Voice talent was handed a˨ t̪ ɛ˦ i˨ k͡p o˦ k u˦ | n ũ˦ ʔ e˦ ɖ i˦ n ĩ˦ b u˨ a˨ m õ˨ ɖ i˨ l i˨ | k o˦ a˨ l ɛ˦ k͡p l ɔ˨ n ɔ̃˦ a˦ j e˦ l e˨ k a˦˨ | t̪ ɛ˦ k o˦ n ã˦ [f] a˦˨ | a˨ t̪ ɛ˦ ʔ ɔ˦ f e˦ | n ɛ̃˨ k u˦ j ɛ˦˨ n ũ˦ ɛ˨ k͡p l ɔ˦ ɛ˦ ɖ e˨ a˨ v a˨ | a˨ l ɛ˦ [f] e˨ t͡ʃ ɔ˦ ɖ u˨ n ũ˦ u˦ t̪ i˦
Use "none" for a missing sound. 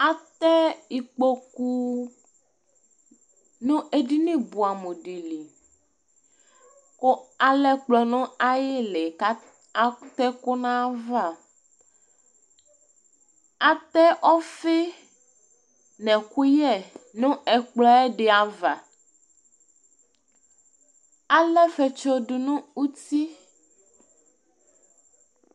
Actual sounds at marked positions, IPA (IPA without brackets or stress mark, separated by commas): v, f